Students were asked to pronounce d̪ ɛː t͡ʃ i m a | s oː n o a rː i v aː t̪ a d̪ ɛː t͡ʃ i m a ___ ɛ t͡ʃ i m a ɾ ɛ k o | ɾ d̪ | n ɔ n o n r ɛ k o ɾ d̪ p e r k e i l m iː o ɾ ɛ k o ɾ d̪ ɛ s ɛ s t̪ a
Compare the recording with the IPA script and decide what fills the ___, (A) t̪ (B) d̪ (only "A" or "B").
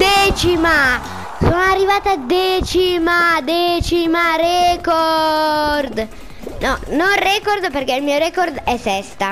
B